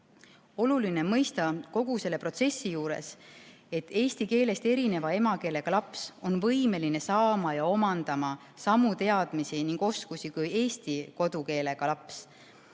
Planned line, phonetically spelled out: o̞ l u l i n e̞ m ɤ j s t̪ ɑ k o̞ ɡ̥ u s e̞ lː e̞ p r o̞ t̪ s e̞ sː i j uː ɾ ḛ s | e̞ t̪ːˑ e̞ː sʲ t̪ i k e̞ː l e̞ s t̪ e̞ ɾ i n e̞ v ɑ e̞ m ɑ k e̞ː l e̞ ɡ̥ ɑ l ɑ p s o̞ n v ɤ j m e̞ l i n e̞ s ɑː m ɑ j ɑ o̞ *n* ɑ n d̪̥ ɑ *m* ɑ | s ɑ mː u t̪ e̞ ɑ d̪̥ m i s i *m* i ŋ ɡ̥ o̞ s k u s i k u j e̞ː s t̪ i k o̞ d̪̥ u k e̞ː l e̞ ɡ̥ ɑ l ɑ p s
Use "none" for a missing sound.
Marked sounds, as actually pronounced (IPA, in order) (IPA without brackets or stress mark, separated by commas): m, m, n